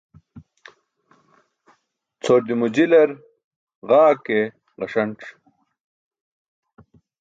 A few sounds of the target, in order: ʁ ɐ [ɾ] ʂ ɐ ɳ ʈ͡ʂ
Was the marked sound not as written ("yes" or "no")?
yes